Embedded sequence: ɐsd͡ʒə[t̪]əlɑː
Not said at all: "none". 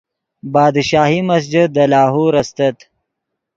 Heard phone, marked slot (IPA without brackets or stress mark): d̪